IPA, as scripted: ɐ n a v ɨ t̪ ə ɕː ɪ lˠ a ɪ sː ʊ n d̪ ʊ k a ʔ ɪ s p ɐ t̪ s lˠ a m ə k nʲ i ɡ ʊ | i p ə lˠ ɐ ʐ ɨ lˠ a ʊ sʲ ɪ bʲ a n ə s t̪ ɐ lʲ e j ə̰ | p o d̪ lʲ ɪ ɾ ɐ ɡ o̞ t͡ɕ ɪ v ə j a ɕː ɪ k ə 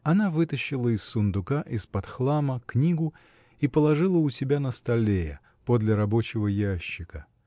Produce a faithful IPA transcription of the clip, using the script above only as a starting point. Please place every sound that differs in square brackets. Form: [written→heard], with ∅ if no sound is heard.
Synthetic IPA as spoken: ɐ n a v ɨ t̪ ə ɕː ɪ lˠ [a→ə] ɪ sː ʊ n d̪ ʊ k a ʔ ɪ s p ɐ t̪ [s→x] lˠ a m ə k nʲ i ɡ ʊ | i p ə lˠ ɐ ʐ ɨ lˠ [a→ə] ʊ sʲ ɪ bʲ a n ə s t̪ ɐ lʲ e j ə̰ | p o d̪ lʲ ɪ ɾ ɐ [ɡ→b] o̞ t͡ɕ ɪ v ə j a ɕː ɪ k ə